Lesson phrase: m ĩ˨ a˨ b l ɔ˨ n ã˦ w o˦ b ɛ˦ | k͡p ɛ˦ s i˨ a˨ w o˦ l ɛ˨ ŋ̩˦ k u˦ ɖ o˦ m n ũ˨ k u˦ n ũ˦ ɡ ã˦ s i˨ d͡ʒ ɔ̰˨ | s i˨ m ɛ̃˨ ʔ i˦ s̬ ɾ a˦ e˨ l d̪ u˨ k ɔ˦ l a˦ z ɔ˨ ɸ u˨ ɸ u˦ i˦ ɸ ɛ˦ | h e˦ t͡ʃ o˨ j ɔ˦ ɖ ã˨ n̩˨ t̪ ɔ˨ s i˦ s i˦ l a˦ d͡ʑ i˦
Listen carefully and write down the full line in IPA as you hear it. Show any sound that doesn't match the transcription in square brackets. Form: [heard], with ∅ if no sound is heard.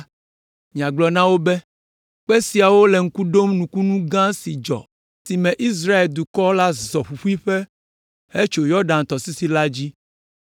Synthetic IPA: m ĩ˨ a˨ [ɡ͡b] l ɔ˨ n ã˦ w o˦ b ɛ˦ | k͡p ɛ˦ s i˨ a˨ w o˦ l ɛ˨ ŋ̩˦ k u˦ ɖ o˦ m n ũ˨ k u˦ n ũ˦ ɡ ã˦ s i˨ d͡ʒ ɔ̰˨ | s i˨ m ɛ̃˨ ʔ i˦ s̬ ɾ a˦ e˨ l d̪ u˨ k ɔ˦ l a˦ z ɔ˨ ɸ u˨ ɸ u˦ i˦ ɸ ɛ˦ | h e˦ t͡ʃ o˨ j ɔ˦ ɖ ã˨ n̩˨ t̪ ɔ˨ s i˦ s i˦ l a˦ d͡ʑ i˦